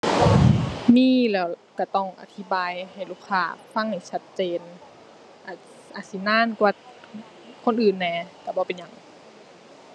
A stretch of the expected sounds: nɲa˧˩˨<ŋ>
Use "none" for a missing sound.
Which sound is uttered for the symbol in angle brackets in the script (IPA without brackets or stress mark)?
ŋ